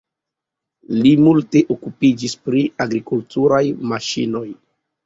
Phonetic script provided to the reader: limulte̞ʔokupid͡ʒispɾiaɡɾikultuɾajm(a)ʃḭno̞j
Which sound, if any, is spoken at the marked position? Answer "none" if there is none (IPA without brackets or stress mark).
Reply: a